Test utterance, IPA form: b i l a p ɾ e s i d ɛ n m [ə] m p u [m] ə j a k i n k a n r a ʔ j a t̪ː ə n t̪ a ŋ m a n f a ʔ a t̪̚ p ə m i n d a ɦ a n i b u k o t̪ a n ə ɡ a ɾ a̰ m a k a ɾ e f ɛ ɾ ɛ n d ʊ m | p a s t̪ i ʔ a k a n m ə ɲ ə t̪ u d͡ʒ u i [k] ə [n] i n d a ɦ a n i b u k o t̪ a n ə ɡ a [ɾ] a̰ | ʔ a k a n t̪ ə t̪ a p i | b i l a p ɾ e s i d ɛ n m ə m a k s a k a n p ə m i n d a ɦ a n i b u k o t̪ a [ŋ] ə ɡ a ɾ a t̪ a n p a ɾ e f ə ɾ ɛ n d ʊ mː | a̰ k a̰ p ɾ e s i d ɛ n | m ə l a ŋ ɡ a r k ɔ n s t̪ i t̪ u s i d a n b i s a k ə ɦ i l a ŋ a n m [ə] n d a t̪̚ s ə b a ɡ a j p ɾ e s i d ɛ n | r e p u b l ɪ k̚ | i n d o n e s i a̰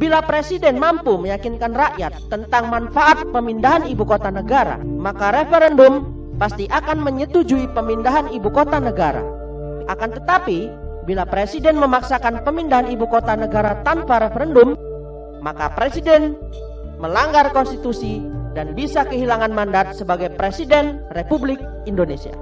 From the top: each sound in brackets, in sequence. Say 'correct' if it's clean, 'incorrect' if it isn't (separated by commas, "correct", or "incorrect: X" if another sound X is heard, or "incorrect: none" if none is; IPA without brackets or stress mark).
incorrect: a, correct, incorrect: p, incorrect: m, correct, incorrect: n, incorrect: a